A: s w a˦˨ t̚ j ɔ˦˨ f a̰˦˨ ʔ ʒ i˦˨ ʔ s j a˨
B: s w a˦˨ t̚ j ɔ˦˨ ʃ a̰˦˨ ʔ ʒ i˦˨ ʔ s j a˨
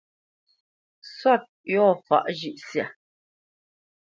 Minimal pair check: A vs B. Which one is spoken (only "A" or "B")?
A